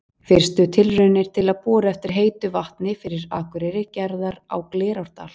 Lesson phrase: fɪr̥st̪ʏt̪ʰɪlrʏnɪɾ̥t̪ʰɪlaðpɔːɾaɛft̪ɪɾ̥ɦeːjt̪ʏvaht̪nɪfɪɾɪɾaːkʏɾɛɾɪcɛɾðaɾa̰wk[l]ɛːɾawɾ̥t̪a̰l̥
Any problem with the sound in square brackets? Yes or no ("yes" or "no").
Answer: no